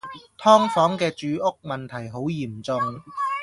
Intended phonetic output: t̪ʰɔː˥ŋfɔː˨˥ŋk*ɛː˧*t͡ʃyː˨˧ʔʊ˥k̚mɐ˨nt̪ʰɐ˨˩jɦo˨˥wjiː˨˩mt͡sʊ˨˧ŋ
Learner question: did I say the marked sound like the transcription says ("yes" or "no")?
yes